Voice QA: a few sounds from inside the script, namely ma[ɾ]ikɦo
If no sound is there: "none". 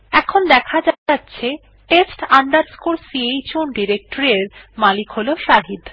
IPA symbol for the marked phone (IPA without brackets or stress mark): l